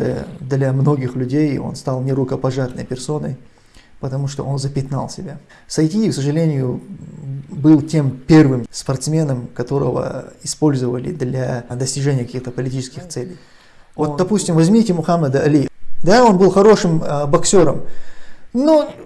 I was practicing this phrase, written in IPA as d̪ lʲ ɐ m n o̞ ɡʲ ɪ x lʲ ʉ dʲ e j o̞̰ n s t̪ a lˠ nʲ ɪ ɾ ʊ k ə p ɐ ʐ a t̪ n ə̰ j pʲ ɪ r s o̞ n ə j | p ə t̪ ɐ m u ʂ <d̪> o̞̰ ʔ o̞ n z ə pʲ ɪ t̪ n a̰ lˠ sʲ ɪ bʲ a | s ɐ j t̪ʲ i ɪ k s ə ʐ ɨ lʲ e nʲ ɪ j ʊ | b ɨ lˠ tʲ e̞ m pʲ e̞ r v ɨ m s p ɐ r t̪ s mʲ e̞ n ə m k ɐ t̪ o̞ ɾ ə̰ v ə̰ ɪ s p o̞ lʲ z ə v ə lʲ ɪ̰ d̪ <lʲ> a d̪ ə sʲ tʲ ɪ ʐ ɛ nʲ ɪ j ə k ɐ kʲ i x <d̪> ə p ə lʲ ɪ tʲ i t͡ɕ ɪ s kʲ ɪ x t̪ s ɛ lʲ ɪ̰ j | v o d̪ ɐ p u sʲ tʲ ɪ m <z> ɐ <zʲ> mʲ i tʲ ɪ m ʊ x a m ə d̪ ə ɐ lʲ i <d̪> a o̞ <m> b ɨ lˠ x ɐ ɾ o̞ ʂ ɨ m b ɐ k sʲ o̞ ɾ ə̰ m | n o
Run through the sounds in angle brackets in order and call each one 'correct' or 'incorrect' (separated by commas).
incorrect, correct, incorrect, incorrect, correct, correct, incorrect